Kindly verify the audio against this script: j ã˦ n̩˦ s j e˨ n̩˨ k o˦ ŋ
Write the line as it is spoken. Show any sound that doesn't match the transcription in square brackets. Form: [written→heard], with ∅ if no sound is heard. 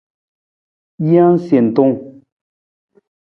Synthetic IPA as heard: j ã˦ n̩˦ s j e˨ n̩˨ [k→t] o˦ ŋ